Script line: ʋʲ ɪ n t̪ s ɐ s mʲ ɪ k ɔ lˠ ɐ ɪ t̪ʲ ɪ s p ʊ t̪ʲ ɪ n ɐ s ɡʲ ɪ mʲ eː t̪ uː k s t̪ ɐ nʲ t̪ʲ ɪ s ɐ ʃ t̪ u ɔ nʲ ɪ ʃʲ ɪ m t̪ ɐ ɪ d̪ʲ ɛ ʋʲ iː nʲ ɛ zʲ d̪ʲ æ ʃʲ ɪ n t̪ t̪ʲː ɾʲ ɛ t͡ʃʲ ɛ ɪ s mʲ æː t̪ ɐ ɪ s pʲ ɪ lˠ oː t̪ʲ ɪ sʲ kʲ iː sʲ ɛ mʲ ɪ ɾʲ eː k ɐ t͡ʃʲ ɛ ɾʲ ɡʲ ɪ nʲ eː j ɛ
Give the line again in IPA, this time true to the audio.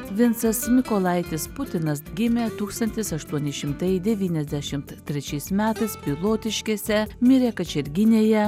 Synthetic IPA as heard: ʋʲ ɪ n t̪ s ɐ s mʲ ɪ k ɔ lˠ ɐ ɪ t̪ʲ ɪ s p ʊ t̪ʲ ɪ n ɐ s ɡʲ ɪ mʲ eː t̪ uː k s t̪ ɐ nʲ t̪ʲ ɪ s ɐ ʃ t̪ u ɔ nʲ ɪ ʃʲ ɪ m t̪ ɐ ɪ d̪ʲ ɛ ʋʲ iː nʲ ɛ zʲ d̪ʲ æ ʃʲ ɪ m t̪ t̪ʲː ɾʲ ɛ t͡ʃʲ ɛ ɪ s mʲ æː t̪ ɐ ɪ s pʲ ɪ lˠ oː t̪ʲ ɪ ʃʲ kʲ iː sʲ ɛ mʲ ɪ ɾʲ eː k ɐ t͡ʃʲ ɛ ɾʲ ɡʲ ɪ nʲ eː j ɛ